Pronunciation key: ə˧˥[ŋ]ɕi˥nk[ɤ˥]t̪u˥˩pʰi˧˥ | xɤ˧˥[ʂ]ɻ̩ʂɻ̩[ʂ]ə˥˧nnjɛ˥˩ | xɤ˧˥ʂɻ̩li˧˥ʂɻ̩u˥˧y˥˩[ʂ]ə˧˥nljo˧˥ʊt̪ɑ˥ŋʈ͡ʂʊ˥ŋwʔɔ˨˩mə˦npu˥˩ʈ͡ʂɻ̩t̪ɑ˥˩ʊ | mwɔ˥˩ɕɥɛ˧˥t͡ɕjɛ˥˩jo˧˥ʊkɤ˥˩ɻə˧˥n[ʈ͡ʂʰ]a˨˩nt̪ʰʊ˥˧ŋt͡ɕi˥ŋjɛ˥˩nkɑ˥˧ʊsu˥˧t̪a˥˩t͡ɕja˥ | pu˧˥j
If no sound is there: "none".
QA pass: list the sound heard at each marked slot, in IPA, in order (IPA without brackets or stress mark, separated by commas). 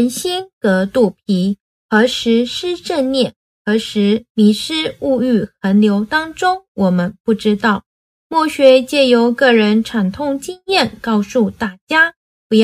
n, ɤ˧˥, ʂ, ʈ͡ʂ, x, ʈ͡ʂʰ